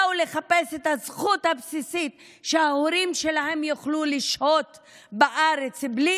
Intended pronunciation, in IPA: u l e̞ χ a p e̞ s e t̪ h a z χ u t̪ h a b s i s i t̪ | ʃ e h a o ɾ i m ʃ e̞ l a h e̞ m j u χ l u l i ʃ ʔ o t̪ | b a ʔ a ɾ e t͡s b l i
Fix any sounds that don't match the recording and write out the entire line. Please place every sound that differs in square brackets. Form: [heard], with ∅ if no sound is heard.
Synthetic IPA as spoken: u l e̞ χ a p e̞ s e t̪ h a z χ u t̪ h a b s i s i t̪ | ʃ e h a o ɾ i m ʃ e̞ l a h e̞ m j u χ l u l i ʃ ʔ o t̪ | b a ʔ a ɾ e t͡s b l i